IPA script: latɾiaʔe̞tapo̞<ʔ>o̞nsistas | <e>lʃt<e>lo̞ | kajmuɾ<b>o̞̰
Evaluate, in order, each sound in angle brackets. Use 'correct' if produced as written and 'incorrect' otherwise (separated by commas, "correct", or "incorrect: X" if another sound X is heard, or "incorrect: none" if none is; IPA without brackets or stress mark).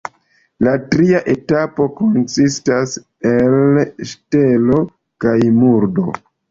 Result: incorrect: k, correct, correct, incorrect: d